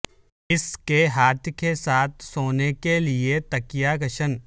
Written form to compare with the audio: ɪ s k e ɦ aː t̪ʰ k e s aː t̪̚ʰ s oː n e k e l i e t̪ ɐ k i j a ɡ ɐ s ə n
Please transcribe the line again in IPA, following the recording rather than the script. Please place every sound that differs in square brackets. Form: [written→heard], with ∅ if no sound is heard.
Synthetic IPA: ɪ s k e ɦ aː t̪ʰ k e s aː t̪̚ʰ s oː n e k e l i e t̪ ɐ k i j a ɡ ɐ [s→ʃ] ə n